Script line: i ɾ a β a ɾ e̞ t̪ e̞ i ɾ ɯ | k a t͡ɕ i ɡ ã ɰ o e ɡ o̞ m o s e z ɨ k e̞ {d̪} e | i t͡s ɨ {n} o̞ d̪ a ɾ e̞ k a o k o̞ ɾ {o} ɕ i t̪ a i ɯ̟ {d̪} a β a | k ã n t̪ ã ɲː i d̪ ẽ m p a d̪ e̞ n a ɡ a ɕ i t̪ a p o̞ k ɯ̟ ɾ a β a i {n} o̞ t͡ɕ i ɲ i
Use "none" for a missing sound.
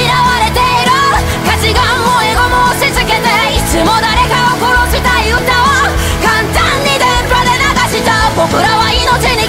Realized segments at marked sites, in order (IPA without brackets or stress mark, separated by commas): t̪, m, o, t̪, n